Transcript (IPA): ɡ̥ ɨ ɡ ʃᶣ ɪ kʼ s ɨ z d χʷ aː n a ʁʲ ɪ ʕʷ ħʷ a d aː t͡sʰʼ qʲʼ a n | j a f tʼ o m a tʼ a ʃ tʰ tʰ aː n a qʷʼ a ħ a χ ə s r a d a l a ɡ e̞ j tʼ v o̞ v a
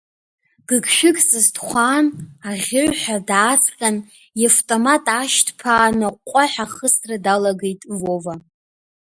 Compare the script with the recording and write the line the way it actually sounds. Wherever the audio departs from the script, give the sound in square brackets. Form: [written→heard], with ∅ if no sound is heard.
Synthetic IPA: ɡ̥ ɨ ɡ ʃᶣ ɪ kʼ s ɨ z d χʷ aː n a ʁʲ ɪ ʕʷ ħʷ a d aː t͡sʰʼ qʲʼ a n | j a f tʼ o m a tʼ a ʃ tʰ [tʰ→pʰ] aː n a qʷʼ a ħ a χ ə s r a d a l a ɡ e̞ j tʼ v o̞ v a